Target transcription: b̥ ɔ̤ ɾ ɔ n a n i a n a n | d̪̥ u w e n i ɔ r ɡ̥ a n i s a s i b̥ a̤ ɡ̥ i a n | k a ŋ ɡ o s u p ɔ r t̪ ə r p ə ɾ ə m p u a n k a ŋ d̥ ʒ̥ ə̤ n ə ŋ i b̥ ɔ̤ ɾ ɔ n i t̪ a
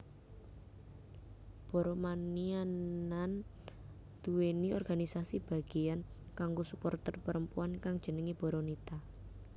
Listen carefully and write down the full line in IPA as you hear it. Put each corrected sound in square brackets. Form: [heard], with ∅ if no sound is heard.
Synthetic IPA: b̥ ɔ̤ ɾ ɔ [m] a n i a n a n | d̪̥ u w e n i ɔ r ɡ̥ a n i s a s i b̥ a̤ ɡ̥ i a n | k a ŋ ɡ o s u p ɔ r t̪ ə r p ə ɾ ə m p u a n k a ŋ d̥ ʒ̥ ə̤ n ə ŋ i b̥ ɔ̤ ɾ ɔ n i t̪ a

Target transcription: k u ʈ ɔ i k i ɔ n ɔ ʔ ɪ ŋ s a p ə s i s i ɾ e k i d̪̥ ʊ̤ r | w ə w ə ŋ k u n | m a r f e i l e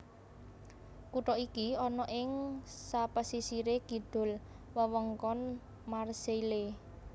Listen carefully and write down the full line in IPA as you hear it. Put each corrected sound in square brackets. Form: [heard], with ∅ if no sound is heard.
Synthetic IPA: k u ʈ ɔ i k i ɔ n ɔ ʔ ɪ ŋ s a p ə s i s i ɾ e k i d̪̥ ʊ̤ [l] | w ə w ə ŋ k [ɔ] n | m a r [s] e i l e

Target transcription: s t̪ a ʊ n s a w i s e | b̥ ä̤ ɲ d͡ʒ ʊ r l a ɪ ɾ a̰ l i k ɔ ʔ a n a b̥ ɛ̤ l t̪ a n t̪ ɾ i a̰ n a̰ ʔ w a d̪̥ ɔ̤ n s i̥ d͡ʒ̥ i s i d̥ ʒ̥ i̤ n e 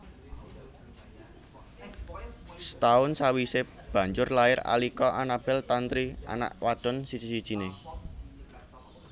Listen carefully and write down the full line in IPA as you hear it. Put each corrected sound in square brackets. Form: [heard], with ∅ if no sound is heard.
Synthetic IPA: s t̪ a ʊ n s a w i s e | b̥ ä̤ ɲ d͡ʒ ʊ r l a ɪ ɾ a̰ l i k ɔ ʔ a n a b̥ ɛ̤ l t̪ a n t̪ ɾ i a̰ n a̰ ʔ w a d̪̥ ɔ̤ n s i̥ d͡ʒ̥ i s i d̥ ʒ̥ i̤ n e

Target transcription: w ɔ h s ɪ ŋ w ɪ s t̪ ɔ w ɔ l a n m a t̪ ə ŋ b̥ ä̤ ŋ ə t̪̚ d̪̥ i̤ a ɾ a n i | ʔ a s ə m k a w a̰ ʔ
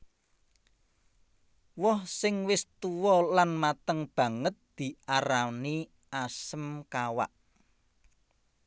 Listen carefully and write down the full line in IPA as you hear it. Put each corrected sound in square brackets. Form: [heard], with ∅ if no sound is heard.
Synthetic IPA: w ɔ h s ɪ ŋ w ɪ s t̪ [u] w ɔ l a n m a t̪ ə ŋ b̥ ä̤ ŋ ə t̪̚ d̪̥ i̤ a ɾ a n i | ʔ a s ə m k a w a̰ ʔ

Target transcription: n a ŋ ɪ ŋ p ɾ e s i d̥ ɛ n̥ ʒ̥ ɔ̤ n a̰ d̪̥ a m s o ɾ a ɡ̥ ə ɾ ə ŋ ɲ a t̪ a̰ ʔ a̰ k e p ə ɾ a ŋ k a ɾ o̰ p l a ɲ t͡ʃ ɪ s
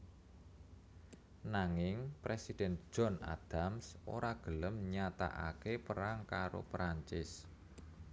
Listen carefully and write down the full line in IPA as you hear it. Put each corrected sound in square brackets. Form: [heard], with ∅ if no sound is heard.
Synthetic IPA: n a ŋ ɪ ŋ p ɾ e s i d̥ ɛ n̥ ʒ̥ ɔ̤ n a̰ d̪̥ a m s o ɾ a ɡ̥ ə [l] ə [m] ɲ a t̪ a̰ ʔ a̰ k e p ə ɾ a ŋ k a ɾ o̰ p [ɾ] a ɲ t͡ʃ ɪ s

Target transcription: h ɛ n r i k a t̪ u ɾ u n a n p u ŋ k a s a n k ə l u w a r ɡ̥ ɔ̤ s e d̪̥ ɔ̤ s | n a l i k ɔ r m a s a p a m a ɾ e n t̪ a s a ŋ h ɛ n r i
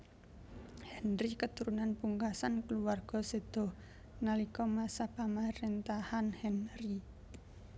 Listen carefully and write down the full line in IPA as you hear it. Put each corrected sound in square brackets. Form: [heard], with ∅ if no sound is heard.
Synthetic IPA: h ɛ n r i k [ə] t̪ u ɾ u n a n p u ŋ k a s a n k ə l u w a r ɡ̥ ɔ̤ s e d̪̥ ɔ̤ [h] | n a l i k ɔ [∅] m a s a p a m a ɾ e n t̪ a [h] a [n] h ɛ n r i

